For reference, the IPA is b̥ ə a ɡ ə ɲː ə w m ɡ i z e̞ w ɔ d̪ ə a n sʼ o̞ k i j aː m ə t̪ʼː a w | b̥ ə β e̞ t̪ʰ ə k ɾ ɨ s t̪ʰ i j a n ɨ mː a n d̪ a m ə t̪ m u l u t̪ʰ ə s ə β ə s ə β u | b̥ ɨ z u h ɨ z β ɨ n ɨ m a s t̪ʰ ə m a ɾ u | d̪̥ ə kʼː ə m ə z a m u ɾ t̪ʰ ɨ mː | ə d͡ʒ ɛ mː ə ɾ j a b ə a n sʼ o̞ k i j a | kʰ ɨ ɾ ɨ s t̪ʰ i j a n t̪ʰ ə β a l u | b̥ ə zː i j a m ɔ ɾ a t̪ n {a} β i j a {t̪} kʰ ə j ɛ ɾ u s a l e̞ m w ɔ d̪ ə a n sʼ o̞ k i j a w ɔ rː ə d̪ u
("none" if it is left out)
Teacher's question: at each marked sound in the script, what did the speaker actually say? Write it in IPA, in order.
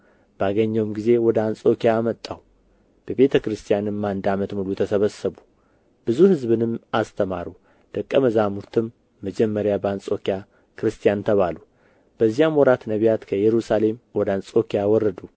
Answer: ə, t̪

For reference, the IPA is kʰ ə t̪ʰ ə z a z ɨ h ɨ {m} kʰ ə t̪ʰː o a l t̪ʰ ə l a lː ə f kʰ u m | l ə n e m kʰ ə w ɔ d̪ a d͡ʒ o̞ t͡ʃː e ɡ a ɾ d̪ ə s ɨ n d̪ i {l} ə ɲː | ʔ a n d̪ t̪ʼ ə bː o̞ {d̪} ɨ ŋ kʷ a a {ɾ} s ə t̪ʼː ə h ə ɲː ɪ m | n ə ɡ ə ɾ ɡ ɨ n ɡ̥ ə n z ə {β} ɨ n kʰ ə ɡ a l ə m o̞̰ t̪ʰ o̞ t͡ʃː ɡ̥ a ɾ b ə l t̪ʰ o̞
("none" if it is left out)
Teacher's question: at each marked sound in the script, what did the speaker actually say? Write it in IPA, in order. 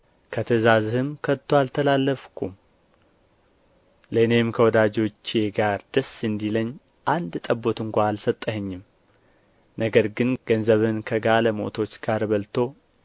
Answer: m, l, t̪, l, β

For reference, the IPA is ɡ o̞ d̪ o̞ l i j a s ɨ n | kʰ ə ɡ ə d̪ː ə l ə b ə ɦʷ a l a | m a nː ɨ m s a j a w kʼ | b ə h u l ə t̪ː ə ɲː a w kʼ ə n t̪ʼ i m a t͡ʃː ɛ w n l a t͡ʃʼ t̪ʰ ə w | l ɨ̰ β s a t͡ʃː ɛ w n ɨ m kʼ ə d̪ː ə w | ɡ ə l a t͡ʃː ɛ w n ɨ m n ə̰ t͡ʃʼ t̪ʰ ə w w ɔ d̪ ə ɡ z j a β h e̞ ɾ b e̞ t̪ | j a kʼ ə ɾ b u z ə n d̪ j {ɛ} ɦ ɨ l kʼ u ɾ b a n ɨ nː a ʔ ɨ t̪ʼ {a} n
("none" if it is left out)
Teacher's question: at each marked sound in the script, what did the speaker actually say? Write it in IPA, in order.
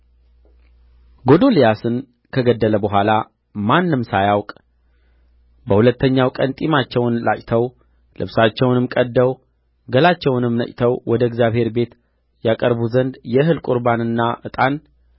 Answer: ɛ, a

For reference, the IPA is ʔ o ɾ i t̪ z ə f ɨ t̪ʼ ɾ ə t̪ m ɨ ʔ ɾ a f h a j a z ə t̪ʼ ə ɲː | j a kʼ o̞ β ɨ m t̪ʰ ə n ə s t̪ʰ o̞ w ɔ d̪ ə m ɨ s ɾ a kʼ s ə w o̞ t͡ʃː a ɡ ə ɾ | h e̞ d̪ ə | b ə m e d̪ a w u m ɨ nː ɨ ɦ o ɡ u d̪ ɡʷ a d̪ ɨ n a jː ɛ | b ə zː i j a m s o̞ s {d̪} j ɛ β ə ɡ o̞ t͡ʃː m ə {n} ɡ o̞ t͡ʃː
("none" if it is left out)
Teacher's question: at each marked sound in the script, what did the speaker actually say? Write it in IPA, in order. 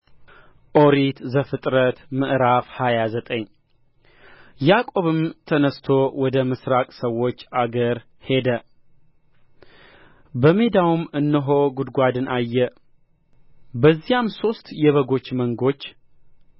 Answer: t̪, ŋ

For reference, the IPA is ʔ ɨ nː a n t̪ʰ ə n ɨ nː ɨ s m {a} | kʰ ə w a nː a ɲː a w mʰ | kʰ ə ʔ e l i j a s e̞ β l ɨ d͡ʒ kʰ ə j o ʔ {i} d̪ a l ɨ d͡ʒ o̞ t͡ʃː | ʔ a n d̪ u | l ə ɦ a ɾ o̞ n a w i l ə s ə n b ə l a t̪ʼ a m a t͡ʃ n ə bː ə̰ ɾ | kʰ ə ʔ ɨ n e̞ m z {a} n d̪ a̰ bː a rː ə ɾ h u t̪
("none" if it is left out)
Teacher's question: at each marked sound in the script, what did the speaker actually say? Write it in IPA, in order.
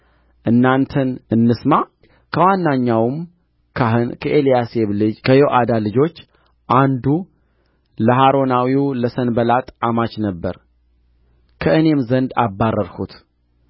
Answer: a, a, ə

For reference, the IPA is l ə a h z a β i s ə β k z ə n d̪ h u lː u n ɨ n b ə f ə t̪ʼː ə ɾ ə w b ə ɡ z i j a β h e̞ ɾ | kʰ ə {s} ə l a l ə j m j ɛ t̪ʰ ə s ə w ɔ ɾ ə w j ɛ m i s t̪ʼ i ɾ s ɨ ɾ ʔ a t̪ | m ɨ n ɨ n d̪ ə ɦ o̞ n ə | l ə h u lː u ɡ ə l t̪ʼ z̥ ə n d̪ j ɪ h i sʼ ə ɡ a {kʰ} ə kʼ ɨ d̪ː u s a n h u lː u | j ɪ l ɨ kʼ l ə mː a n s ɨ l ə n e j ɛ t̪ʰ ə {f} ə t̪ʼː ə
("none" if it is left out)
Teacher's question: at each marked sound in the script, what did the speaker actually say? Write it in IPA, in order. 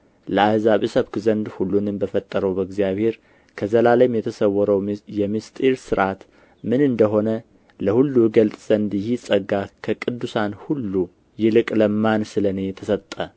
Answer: z, kʰ, s

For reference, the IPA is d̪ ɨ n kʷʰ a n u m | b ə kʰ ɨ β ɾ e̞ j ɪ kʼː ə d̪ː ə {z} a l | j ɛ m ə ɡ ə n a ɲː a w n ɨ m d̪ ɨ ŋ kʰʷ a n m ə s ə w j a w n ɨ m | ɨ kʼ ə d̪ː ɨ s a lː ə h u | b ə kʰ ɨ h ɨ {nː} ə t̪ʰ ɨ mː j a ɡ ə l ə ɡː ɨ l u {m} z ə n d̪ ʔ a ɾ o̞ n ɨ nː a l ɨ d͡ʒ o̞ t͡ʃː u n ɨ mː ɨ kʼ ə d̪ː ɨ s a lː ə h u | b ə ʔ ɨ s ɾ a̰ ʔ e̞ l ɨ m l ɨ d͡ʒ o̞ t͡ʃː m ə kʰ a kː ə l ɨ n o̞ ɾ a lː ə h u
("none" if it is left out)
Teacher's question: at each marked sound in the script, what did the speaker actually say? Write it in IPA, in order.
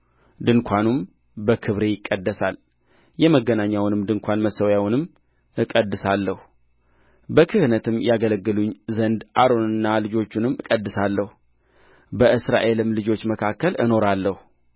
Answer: s, n, ɲ

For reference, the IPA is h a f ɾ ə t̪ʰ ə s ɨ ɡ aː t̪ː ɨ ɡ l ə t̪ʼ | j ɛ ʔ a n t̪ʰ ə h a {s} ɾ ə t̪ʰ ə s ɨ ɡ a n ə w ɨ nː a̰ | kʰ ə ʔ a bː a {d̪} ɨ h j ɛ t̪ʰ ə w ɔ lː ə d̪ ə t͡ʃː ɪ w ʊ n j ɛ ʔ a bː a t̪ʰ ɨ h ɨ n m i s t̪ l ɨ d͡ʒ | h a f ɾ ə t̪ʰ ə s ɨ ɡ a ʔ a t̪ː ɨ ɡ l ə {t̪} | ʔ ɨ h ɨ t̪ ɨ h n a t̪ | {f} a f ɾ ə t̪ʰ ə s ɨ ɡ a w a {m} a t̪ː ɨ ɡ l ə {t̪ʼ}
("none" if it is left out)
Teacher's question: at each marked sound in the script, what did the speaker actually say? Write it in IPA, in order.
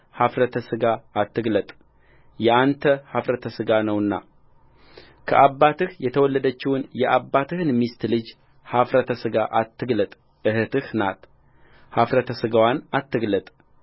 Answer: f, t̪, t̪ʼ, h, n, t̪ʼ

